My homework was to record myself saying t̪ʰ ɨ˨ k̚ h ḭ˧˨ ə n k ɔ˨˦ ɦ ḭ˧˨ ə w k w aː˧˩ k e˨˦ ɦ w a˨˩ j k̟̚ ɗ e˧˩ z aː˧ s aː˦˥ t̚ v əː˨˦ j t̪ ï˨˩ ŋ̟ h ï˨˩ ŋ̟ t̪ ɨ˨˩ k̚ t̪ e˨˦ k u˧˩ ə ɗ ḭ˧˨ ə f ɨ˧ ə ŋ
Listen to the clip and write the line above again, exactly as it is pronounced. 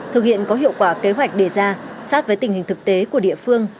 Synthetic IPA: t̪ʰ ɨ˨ k̚ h ḭ˧˨ ə n k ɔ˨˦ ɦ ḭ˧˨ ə w k w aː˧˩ k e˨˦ ɦ w a˨˩ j k̟̚ ɗ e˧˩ z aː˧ s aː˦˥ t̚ v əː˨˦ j t̪ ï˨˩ ŋ̟ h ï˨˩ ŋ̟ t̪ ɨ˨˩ k̚ t̪ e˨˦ k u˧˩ ə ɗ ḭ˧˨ ə f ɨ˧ ə ŋ